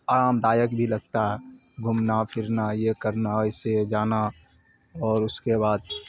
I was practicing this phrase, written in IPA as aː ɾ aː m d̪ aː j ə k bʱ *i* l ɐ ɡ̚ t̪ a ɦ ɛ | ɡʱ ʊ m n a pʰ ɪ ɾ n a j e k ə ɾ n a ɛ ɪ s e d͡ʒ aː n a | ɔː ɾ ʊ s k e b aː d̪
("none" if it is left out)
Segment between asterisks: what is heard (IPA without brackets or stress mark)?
i